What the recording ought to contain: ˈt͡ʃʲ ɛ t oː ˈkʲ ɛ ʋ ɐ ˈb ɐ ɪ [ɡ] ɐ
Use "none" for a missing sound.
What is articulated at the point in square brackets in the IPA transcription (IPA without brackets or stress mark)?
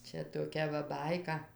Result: k